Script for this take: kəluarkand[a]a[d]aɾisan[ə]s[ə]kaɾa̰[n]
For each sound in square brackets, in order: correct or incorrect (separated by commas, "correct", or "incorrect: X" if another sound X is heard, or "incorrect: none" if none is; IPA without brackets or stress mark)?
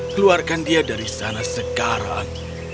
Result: incorrect: i, correct, incorrect: a, correct, incorrect: ŋ